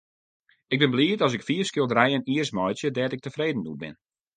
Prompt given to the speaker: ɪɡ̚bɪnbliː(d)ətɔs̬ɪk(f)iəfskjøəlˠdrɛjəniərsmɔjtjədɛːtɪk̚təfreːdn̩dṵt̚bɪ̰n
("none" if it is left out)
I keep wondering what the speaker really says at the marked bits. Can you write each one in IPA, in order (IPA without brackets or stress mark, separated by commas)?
none, f